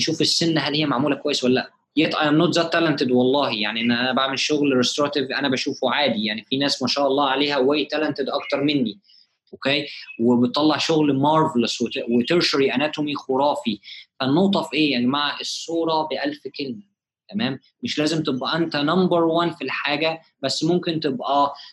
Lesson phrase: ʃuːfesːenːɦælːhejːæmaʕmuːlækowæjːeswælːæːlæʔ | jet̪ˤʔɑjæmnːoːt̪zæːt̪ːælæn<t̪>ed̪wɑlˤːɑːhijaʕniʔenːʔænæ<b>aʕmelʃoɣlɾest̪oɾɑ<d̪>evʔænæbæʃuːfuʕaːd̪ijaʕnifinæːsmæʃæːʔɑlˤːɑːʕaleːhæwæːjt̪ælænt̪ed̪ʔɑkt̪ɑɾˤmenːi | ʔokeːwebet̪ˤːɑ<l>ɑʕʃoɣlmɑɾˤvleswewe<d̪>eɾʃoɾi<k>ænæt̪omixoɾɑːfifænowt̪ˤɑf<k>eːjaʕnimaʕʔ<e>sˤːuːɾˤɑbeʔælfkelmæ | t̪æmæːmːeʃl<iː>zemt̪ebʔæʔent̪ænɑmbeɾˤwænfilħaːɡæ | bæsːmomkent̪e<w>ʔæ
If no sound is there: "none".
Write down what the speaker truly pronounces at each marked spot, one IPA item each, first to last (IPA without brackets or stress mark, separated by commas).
t̪, b, t̪, lː, t̪, ʔ, ʔ, e, æː, b